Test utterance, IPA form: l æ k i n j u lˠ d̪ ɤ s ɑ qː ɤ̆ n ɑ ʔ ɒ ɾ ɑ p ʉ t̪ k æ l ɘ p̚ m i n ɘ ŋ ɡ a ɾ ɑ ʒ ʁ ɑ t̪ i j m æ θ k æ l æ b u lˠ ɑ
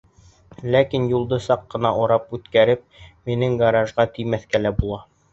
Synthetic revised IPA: l æ k i n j u lˠ d̪ ɤ s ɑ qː ɤ̆ n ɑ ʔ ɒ ɾ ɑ p ʉ t̪ k æ ɾ ɘ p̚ m i n ɘ ŋ ɡ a ɾ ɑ ʒ ʁ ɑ t̪ i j m æ θ k æ l æ b u lˠ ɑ